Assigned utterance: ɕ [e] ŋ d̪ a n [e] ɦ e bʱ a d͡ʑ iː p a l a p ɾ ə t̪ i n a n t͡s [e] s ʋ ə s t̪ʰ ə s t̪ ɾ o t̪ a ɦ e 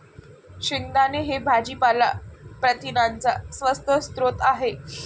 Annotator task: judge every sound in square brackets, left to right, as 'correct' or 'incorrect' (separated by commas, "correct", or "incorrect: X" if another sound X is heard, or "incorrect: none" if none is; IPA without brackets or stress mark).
incorrect: i, correct, incorrect: a